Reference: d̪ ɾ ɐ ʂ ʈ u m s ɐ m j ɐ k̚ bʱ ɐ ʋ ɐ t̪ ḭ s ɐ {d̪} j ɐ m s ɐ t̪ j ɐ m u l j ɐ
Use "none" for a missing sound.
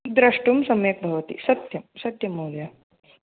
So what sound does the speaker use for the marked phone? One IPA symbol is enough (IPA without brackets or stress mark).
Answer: t̪